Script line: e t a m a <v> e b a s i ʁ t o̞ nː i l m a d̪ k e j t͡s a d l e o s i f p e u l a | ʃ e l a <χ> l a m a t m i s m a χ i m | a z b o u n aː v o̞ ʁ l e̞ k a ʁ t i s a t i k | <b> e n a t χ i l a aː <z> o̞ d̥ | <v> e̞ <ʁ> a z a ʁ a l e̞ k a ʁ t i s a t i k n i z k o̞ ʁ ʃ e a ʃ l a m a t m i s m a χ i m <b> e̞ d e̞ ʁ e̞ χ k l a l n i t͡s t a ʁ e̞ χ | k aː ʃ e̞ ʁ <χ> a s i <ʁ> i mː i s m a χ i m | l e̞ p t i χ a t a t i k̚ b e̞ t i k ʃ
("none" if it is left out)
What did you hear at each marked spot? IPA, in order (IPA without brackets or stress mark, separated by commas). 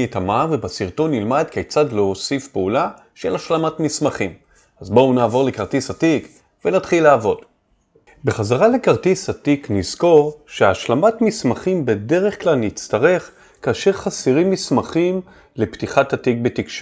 v, ʃ, v, v, b, χ, b, χ, ʁ